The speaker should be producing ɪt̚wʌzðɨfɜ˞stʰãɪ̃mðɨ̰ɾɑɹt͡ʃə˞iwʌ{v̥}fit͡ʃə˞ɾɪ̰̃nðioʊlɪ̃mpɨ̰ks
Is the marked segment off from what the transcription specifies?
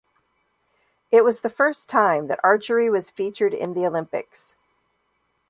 yes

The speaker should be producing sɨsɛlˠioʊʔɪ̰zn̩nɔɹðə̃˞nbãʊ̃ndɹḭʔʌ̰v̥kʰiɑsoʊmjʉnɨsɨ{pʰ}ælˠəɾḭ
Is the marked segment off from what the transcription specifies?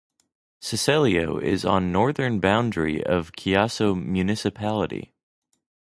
no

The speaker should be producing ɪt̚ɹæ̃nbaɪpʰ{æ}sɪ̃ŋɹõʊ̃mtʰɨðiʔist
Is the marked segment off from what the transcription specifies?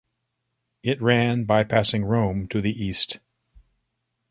no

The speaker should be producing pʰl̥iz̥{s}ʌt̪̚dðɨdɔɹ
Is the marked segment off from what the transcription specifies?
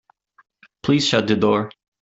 yes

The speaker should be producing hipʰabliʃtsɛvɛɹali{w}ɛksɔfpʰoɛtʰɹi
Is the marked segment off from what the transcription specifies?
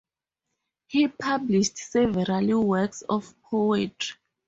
no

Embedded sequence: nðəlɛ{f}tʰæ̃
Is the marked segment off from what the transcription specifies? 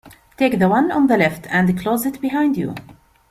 no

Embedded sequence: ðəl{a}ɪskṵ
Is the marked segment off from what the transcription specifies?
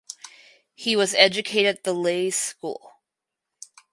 yes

